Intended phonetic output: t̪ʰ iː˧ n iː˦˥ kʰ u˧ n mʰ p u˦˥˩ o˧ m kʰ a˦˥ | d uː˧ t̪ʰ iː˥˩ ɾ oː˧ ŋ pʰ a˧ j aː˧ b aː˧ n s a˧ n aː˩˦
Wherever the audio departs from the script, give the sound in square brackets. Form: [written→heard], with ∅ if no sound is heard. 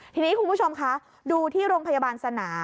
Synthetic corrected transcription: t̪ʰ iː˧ n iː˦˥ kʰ u˧ n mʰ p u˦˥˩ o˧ m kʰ a˦˥ | d uː˧ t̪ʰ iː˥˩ ɾ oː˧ ŋ pʰ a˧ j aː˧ b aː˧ n s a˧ n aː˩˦